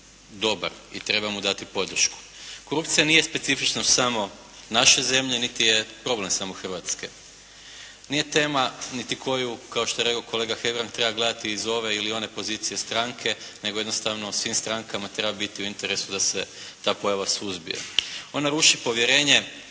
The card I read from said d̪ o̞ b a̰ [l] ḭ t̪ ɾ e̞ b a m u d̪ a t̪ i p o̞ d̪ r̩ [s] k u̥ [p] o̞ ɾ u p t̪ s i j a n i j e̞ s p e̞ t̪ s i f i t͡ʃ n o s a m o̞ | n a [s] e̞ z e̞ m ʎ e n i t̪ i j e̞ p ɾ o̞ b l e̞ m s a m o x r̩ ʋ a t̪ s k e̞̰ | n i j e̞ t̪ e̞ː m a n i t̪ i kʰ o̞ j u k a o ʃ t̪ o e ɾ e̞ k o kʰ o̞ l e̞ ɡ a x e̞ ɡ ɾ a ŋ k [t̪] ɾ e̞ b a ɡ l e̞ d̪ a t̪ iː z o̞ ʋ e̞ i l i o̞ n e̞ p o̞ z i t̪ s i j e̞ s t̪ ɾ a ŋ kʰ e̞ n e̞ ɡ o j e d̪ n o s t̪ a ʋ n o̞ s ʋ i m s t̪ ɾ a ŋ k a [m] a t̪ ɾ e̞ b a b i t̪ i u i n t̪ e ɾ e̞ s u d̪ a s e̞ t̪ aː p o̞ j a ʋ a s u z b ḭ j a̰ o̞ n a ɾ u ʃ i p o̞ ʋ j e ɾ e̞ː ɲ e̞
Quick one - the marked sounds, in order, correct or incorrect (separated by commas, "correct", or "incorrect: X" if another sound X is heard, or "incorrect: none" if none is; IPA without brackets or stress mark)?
incorrect: ɾ, incorrect: ʃ, incorrect: k, incorrect: ʃ, correct, correct